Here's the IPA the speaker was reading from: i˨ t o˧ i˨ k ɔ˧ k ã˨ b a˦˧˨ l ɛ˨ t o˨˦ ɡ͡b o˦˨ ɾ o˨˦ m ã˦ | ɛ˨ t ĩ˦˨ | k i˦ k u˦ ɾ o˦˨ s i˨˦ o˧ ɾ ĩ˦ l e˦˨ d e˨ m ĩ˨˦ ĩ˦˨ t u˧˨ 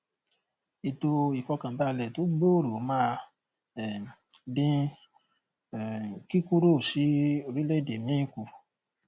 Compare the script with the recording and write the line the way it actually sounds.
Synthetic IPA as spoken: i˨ t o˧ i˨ k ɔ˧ k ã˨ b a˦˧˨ l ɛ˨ t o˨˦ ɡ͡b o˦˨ ɾ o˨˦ m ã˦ | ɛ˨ d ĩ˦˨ | k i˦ k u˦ ɾ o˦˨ s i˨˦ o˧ ɾ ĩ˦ l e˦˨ d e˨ m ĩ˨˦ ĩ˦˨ k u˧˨

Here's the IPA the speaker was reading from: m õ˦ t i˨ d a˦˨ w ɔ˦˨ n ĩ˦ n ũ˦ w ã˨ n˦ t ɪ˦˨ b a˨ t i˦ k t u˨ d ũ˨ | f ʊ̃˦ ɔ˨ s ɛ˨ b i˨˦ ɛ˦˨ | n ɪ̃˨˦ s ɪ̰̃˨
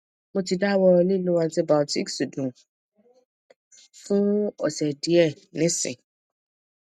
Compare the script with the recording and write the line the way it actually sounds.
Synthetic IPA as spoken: m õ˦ t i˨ d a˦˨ w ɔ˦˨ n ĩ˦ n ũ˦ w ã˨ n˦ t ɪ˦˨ b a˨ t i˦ k s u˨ d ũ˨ | f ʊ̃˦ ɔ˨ s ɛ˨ d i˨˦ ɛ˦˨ | n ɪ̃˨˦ s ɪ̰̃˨

